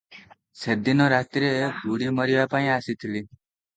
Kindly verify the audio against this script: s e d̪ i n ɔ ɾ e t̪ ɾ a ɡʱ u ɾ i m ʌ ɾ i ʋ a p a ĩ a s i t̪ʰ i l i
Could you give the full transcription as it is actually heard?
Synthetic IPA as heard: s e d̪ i n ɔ ɾ a t̪ ɾ e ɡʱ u ɽ i m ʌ ɾ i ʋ a p a ĩ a s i t̪ʰ i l i